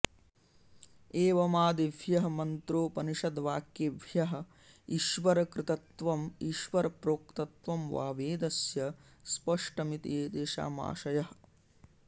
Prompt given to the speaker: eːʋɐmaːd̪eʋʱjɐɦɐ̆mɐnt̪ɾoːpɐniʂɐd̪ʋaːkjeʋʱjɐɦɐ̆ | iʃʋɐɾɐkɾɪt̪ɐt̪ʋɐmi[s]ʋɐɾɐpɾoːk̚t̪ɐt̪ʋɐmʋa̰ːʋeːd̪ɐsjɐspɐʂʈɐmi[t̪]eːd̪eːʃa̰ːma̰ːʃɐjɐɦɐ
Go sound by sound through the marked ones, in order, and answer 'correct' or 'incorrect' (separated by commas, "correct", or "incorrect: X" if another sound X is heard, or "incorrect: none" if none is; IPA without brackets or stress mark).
incorrect: ʃ, correct